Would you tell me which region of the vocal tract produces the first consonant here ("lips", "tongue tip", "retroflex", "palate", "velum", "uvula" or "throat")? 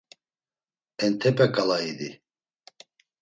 tongue tip